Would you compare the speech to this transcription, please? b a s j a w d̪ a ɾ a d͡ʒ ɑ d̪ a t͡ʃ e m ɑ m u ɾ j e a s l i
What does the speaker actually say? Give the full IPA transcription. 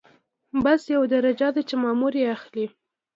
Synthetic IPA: b a s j a w d̪ a ɾ a d͡ʒ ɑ d̪ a t͡ʃ e m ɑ m u ɾ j e a x l i